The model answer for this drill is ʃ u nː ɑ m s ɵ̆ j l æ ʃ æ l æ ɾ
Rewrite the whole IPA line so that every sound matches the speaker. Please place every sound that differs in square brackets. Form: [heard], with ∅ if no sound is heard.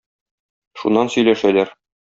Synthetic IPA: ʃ u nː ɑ [n] s ɵ̆ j l æ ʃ æ l æ ɾ